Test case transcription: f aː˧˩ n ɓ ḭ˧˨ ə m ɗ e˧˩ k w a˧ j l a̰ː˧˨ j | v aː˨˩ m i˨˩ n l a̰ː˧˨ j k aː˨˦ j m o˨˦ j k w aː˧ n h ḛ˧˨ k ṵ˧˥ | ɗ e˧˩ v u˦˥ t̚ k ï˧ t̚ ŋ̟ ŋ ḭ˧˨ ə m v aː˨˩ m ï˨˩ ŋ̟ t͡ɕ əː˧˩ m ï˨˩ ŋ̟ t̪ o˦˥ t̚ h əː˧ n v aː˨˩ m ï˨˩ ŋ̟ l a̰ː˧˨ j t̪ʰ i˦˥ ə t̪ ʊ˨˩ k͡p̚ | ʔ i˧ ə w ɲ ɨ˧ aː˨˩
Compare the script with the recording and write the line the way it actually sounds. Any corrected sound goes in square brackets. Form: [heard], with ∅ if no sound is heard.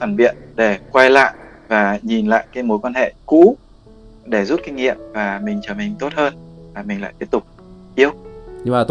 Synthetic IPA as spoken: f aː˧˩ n ɓ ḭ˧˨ ə [n] ɗ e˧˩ k w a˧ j l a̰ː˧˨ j | v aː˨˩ [ɲ] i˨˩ n l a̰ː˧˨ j k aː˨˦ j m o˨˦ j k w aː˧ n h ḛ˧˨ k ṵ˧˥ | ɗ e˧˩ [z] u˦˥ t̚ k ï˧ [∅] ŋ̟ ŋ ḭ˧˨ ə m v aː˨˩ m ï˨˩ ŋ̟ t͡ɕ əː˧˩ m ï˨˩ ŋ̟ t̪ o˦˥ t̚ h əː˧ n v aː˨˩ m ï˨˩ ŋ̟ l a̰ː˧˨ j [t̪] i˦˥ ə t̪ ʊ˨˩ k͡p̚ | ʔ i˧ ə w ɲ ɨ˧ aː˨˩

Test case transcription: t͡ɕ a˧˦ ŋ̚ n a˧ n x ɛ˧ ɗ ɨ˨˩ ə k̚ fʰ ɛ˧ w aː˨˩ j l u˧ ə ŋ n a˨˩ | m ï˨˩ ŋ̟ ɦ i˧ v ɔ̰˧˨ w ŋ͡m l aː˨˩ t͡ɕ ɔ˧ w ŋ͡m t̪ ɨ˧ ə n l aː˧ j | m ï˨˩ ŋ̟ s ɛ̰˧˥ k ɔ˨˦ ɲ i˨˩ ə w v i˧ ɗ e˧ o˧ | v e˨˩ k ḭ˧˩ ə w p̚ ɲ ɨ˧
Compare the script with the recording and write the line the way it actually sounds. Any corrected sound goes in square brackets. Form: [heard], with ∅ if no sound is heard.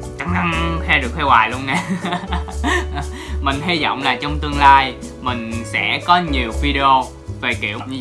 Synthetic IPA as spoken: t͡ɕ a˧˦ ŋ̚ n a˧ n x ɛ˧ ɗ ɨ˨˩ ə k̚ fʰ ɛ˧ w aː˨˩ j l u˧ ə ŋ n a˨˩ | m ï˨˩ ŋ̟ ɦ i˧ [z] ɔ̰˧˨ w ŋ͡m l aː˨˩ t͡ɕ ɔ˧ w ŋ͡m t̪ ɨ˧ ə [ŋ] l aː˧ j | m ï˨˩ ŋ̟ s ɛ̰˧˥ k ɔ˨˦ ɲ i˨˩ ə w v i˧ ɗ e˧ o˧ | v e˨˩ k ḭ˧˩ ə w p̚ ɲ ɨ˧

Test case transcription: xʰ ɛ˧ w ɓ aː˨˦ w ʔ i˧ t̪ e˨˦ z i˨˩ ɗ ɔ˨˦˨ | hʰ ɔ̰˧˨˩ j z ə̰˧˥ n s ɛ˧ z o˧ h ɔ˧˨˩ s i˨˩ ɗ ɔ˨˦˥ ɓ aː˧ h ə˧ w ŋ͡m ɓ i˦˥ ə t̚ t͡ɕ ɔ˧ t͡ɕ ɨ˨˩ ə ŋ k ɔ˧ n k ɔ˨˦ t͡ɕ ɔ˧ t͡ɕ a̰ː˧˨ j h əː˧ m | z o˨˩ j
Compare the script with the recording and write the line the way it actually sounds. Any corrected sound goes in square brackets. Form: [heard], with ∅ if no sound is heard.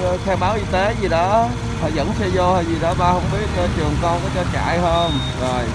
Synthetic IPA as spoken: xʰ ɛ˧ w ɓ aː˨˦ w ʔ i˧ t̪ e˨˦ z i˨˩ ɗ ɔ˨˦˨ | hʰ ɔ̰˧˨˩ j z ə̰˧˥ n s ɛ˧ z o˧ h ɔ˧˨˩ [z] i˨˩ ɗ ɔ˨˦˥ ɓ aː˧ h ə˧ w ŋ͡m ɓ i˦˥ ə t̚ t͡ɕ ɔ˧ t͡ɕ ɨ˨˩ ə ŋ k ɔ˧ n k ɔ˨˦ t͡ɕ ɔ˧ t͡ɕ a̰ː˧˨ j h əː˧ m | z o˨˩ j

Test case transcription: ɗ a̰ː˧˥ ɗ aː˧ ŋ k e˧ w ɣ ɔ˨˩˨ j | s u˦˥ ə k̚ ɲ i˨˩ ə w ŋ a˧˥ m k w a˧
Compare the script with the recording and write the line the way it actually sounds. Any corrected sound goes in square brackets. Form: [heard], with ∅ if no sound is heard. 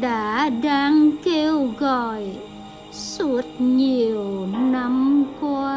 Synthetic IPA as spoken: ɗ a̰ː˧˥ ɗ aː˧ ŋ k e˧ w ɣ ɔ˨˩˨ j | s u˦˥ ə [t̚] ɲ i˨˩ ə w [n] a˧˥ m k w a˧

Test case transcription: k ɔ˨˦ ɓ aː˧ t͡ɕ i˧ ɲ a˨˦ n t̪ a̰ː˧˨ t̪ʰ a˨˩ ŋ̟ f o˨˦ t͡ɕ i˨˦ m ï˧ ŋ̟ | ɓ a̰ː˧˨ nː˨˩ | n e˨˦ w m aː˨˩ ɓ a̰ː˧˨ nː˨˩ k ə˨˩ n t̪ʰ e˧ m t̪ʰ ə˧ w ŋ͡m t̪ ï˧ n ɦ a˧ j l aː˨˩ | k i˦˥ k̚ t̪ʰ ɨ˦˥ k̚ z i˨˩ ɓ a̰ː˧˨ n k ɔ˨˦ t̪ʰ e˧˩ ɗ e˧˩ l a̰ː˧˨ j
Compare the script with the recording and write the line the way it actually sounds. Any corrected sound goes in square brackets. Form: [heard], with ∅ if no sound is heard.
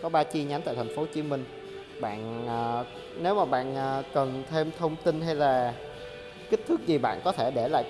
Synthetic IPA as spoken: k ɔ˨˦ ɓ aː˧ t͡ɕ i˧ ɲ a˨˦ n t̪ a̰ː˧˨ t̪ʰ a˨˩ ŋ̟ f o˨˦ t͡ɕ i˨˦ m ï˧ ŋ̟ | ɓ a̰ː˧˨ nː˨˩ | n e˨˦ w m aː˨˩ ɓ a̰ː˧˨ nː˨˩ k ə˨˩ n t̪ʰ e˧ m t̪ʰ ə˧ w ŋ͡m t̪ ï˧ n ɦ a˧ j l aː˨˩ | k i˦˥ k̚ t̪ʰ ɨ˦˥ k̚ z i˨˩ ɓ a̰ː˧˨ n k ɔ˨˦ t̪ʰ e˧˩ ɗ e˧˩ l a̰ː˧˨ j

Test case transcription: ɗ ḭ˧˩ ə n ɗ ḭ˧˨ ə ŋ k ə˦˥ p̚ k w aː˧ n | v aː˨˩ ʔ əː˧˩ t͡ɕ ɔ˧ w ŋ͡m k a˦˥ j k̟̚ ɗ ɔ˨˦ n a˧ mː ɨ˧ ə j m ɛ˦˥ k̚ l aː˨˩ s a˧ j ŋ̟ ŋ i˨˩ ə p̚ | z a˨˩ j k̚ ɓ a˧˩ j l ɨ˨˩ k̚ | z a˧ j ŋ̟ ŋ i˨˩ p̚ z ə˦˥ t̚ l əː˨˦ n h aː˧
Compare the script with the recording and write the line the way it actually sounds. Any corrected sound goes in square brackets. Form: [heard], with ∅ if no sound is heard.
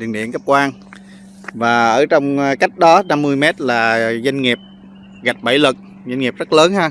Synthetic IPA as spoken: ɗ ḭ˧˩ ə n ɗ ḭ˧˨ ə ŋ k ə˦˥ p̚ k w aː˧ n | v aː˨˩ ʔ əː˧˩ t͡ɕ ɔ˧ w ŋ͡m k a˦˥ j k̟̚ ɗ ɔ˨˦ n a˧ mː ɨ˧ ə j m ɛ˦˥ [t̚] l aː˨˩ [z] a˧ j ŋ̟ ŋ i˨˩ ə p̚ | [ɣ] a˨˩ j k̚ ɓ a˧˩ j l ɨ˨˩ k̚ | z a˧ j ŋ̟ ŋ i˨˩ p̚ z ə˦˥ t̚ l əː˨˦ n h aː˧

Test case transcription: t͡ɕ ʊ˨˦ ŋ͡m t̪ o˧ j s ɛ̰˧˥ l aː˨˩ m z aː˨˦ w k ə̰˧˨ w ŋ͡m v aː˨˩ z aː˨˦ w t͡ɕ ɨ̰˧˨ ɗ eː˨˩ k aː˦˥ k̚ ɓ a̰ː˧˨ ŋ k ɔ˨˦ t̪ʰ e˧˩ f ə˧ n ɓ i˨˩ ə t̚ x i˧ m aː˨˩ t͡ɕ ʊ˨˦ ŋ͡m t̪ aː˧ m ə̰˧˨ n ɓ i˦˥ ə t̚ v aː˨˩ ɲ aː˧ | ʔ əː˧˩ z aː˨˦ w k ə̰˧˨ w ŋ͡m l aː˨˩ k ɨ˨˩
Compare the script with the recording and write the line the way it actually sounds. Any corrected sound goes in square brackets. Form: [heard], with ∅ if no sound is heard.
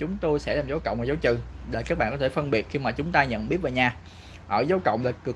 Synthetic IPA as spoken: t͡ɕ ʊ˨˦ ŋ͡m t̪ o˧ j s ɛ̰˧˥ l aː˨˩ m z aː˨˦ w k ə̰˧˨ w ŋ͡m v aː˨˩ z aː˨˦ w t͡ɕ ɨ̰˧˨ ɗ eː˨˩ k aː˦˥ k̚ ɓ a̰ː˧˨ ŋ k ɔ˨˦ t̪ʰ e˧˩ f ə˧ n ɓ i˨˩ ə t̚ x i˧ m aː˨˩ t͡ɕ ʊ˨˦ ŋ͡m t̪ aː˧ [ɲ] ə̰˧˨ n ɓ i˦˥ ə t̚ v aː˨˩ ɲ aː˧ | ʔ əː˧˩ z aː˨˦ w k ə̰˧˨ w ŋ͡m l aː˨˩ k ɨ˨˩

